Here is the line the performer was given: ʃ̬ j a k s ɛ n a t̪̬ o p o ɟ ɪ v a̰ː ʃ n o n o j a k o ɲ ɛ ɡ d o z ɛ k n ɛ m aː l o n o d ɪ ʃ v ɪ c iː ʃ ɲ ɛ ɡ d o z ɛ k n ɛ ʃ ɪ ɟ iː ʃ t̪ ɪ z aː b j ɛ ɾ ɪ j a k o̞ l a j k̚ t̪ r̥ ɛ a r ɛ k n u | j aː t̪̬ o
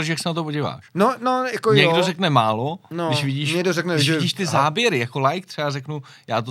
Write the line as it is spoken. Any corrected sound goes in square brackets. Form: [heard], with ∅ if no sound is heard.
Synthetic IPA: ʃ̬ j a k s ɛ n a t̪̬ o p o ɟ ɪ v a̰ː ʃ n o n o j a k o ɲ ɛ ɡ d o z ɛ k n ɛ m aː l o n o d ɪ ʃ v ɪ [ɟ] iː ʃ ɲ ɛ ɡ d o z ɛ k n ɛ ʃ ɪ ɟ iː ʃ t̪ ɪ z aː b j ɛ ɾ ɪ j a k o̞ l a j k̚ t̪ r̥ ɛ a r ɛ k n u | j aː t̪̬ o